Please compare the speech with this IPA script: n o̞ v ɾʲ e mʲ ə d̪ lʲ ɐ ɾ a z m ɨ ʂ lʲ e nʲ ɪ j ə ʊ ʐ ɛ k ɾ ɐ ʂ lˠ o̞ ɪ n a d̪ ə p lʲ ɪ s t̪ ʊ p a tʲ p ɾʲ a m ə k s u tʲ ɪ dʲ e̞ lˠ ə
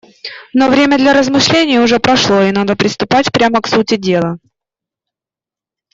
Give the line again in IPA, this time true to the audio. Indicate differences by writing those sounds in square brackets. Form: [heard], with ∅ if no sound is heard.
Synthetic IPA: n o̞ v ɾʲ e mʲ ə d̪ lʲ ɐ ɾ [ə] z m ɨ ʂ lʲ e nʲ ɪ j ə ʊ ʐ ɛ [p] ɾ ɐ ʂ lˠ o̞ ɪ n a d̪ ə p [ɾʲ] ɪ s t̪ ʊ p a tʲ p ɾʲ a m ə k s u tʲ ɪ dʲ e̞ lˠ ə

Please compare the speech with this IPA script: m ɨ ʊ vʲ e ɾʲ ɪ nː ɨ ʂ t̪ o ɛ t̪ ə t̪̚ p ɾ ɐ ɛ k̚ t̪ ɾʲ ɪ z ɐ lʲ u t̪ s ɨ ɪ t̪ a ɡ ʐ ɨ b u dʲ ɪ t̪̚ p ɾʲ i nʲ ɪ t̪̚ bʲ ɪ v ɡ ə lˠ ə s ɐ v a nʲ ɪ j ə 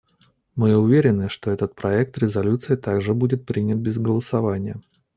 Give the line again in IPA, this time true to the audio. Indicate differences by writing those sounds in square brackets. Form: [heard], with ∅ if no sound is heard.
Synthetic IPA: m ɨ ʊ vʲ e ɾʲ ɪ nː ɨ ʂ t̪ o ɛ t̪ ə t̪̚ p ɾ ɐ ɛ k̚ t̪ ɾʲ ɪ z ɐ lʲ u t̪ s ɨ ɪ t̪ a ɡ ʐ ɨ b u dʲ ɪ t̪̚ p ɾʲ i nʲ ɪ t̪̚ bʲ ɪ [z] ɡ ə lˠ ə s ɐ v a nʲ ɪ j ə

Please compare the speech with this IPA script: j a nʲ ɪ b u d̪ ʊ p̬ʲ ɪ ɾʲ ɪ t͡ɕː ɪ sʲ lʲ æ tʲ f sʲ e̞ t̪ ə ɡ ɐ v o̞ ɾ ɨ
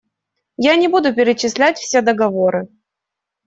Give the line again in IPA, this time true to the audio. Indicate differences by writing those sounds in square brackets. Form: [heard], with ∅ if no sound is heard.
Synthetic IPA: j a nʲ ɪ b u d̪ ʊ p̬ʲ ɪ ɾʲ ɪ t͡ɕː ɪ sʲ lʲ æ tʲ f sʲ e̞ [d̪] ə ɡ ɐ v o̞ ɾ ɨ

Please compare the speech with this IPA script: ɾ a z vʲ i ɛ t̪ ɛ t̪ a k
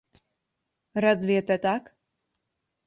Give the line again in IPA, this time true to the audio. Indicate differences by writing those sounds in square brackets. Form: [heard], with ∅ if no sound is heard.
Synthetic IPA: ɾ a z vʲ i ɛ t̪ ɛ t̪ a k

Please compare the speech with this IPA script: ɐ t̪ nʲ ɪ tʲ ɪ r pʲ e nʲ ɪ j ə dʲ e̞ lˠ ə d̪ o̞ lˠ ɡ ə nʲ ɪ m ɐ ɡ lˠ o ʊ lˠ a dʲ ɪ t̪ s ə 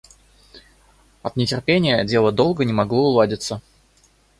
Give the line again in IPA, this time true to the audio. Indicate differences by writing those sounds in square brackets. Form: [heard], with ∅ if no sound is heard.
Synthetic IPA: ɐ t̪ nʲ ɪ tʲ ɪ r pʲ e nʲ ɪ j ə dʲ e̞ lˠ ə d̪ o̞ lˠ ɡ ə nʲ ɪ m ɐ ɡ lˠ o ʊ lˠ a dʲ ɪ t̪ s ə

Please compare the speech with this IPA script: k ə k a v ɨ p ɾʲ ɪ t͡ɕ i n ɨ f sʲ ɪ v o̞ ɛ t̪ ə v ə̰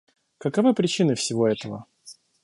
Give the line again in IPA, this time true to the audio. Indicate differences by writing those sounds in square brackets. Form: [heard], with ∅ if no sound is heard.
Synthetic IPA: k ə k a v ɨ p ɾʲ ɪ t͡ɕ i n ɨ f sʲ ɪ v o̞ ɛ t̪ ə v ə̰

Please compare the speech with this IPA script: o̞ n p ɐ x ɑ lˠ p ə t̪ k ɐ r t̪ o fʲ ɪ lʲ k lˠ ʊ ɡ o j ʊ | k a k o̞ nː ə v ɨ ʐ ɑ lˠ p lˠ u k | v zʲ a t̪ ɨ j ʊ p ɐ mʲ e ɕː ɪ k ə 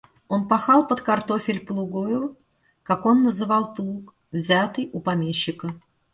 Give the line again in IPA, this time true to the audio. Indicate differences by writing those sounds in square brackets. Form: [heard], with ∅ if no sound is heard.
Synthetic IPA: o̞ n p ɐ x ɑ lˠ p ə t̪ k ɐ r t̪ o fʲ ɪ lʲ [p] lˠ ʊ ɡ o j ʊ | k a k o̞ nː ə [z] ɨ [v] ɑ lˠ p lˠ u k | v zʲ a t̪ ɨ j ʊ p ɐ mʲ e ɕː ɪ k ə

